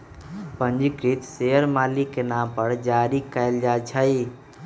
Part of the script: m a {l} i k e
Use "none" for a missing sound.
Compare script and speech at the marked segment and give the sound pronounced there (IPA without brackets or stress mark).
l